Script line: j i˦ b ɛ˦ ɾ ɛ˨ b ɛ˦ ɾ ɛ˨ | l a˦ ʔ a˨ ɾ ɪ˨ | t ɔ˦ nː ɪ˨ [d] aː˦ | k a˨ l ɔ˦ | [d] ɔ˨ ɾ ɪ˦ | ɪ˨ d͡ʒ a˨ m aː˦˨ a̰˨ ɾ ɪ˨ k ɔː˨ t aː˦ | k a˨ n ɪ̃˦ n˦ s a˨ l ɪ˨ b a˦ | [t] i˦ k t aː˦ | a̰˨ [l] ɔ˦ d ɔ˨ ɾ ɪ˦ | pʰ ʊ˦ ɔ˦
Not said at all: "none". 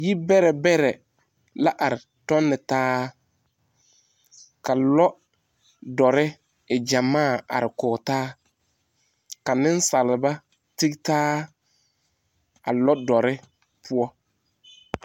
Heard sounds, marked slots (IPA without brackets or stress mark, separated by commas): t, d, t, l